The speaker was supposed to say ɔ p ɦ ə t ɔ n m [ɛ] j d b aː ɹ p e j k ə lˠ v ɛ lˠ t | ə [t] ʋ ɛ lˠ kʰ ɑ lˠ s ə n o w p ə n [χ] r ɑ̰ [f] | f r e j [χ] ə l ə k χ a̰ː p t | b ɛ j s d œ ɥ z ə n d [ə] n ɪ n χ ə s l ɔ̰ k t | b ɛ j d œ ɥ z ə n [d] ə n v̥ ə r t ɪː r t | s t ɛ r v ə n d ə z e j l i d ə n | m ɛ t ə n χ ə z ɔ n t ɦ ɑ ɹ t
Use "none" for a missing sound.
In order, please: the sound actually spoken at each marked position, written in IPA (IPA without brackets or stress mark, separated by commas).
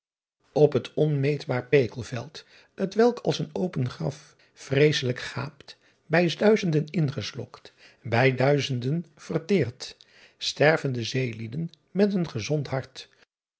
e, t, χ, f, s, ə, d